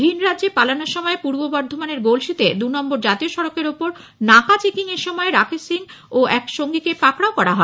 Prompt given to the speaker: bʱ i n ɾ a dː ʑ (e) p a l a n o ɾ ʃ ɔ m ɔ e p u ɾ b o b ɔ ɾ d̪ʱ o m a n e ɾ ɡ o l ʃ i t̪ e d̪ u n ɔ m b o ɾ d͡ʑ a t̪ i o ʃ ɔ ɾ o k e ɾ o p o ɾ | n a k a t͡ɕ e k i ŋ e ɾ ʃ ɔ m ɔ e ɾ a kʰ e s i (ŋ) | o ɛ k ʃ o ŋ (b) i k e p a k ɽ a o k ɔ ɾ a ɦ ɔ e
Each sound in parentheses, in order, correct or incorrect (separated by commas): correct, correct, incorrect